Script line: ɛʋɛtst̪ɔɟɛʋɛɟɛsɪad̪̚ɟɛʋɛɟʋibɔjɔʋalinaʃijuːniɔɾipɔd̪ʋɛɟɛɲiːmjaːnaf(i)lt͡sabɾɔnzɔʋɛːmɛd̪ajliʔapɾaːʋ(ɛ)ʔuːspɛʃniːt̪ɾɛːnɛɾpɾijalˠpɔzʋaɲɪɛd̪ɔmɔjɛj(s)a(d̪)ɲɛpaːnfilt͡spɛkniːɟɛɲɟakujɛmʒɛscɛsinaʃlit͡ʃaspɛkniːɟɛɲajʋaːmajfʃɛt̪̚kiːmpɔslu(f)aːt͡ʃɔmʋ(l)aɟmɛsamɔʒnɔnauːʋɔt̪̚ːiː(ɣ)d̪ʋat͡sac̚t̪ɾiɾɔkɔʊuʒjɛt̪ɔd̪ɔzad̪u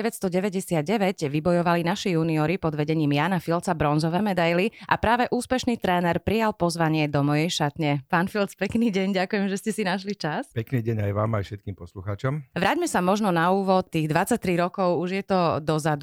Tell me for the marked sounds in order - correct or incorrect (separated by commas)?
correct, correct, incorrect, incorrect, incorrect, incorrect, correct